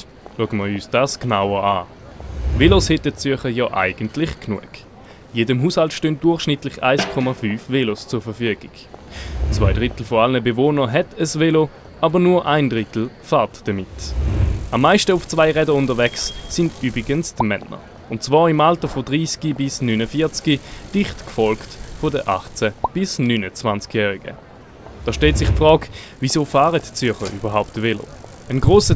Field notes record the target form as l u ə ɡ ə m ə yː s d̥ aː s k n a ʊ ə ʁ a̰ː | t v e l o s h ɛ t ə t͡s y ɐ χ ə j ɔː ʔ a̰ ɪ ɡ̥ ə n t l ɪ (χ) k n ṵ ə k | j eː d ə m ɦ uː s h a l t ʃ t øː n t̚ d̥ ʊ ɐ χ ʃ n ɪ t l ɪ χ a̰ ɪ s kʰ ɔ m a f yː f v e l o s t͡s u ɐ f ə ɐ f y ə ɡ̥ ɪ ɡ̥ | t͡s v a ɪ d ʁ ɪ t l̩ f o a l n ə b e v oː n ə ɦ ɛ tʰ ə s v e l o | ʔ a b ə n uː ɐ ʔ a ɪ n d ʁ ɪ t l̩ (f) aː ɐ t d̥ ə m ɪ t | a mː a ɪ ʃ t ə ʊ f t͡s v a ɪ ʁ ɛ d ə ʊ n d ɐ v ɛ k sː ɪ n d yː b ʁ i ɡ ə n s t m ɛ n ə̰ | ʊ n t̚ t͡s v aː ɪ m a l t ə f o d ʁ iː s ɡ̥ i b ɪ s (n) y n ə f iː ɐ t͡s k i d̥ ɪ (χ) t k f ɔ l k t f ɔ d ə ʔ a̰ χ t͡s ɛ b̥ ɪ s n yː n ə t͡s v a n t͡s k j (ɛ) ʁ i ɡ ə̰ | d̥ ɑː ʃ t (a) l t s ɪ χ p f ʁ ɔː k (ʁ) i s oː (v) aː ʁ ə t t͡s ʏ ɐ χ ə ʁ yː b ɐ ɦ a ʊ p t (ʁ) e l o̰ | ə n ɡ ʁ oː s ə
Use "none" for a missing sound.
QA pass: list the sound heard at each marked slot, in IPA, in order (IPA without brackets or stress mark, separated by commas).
χ, f, n, χ, ɛː, ɛ, v, f, v